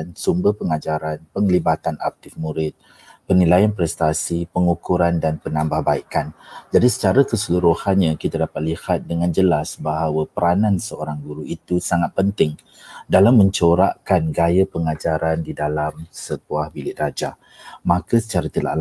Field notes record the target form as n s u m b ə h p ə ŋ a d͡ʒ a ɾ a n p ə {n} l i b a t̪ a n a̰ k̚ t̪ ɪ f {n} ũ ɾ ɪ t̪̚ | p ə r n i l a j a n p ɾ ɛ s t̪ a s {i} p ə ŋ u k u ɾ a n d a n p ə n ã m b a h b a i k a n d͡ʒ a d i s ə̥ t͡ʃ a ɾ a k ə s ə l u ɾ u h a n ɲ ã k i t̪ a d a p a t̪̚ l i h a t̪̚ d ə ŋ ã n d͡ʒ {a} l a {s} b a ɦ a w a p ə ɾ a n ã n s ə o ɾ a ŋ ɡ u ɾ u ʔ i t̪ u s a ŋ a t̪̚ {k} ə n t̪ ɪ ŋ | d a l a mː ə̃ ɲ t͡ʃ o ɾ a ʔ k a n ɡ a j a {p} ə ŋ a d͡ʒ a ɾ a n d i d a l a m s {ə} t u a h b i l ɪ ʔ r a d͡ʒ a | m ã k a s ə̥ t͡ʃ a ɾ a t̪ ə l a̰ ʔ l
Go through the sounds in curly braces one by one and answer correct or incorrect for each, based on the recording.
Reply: incorrect: ŋ, incorrect: m, correct, incorrect: ə, correct, incorrect: p, correct, correct

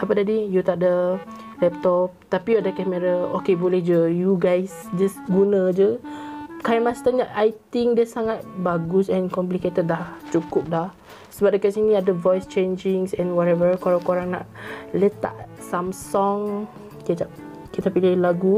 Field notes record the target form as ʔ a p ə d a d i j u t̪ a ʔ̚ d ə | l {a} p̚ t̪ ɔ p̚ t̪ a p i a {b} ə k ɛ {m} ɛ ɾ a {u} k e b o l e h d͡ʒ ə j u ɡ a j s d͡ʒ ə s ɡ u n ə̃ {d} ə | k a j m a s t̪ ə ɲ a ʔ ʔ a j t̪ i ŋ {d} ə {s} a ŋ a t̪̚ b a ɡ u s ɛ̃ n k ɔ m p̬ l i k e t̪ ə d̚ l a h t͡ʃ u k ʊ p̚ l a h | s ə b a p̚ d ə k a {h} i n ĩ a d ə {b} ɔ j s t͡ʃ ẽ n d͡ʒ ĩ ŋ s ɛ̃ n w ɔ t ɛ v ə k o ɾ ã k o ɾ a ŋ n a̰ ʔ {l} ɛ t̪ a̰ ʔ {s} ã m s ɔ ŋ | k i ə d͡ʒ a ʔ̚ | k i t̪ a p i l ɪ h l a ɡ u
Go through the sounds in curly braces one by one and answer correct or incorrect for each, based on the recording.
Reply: incorrect: ɛ, incorrect: d, correct, incorrect: o, incorrect: d͡ʒ, correct, correct, incorrect: s, incorrect: v, correct, correct

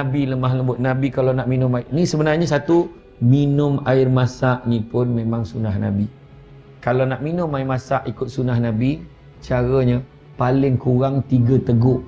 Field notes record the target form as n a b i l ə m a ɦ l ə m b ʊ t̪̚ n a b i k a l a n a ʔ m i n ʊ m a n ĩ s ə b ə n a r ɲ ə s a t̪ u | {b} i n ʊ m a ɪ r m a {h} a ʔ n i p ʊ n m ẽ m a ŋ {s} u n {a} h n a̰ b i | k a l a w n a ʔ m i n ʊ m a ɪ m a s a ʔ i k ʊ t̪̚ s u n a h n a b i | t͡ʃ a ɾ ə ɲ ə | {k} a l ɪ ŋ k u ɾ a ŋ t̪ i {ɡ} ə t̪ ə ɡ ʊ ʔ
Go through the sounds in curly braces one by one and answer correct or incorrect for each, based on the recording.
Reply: incorrect: m, incorrect: s, correct, correct, incorrect: p, correct

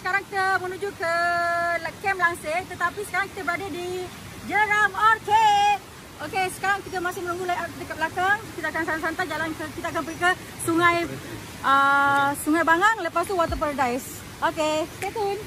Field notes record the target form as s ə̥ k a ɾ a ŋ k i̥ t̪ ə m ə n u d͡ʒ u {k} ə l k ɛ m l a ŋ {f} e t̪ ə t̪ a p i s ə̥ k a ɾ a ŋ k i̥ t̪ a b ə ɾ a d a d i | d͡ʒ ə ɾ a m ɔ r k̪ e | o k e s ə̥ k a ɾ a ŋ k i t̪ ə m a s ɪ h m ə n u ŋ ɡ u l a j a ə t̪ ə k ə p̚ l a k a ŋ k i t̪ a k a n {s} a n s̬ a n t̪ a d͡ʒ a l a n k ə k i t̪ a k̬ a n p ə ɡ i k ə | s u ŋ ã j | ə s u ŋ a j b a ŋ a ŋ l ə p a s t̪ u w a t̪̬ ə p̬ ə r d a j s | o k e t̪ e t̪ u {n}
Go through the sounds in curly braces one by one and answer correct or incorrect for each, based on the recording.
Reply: correct, incorrect: s, correct, correct

